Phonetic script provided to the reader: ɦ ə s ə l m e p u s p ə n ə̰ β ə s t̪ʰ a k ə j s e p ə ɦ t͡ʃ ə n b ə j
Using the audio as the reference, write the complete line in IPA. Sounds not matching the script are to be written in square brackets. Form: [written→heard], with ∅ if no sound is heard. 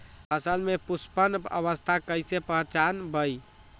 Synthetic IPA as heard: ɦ ə s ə l m e p u s p ə n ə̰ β ə s t̪ʰ a k ə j s e p ə ɦ t͡ʃ [ə→a] n b ə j